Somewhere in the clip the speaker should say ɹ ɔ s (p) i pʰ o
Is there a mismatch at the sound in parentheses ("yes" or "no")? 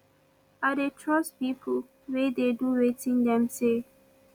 no